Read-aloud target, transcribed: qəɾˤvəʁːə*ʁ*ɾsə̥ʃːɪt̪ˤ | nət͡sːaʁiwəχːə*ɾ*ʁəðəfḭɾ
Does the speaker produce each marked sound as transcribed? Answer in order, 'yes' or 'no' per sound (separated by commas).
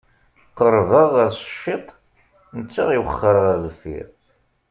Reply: no, yes